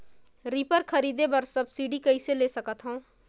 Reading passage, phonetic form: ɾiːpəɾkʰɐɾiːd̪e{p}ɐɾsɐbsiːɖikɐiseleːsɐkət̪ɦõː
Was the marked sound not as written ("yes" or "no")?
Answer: yes